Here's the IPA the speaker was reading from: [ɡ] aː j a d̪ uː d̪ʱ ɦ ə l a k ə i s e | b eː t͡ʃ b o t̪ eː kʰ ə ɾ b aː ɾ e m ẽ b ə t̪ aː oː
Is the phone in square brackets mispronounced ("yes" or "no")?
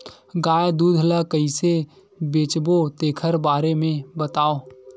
no